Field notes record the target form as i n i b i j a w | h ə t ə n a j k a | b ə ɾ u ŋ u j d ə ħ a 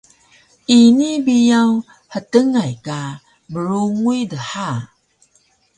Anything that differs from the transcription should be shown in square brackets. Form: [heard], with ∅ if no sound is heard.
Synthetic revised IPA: i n i b i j a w | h ə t ə [ŋ] a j k a | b ə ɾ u ŋ u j d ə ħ a